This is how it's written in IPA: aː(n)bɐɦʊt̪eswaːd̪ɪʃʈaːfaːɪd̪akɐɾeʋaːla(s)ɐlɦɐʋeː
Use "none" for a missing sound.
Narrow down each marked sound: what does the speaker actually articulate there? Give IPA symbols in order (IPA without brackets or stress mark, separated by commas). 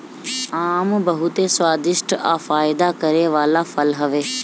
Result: m, f